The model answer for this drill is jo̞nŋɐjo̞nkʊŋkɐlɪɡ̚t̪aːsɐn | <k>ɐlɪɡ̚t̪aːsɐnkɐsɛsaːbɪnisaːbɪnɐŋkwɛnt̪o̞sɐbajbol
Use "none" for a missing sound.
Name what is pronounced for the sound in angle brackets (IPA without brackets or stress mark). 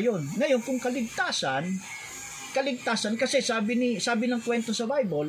k